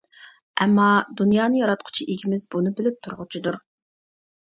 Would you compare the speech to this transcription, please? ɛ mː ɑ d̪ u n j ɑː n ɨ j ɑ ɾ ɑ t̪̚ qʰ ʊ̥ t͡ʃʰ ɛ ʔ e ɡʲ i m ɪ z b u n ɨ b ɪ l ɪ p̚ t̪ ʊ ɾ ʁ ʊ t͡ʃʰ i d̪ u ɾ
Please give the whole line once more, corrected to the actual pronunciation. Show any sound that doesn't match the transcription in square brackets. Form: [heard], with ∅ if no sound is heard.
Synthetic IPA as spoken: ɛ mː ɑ d̪ u n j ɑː n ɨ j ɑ ɾ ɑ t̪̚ qʰ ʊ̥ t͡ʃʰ [i] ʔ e ɡʲ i m ɪ z b u n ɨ b ɪ l ɪ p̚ [t̪ʰ] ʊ ɾ ʁ ʊ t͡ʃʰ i d̪ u ɾ